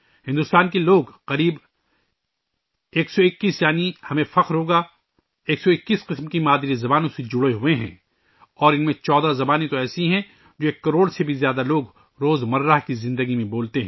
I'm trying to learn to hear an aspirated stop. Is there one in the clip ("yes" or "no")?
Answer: no